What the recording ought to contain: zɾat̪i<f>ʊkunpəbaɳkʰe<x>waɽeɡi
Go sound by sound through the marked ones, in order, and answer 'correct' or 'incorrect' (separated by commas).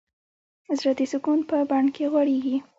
incorrect, incorrect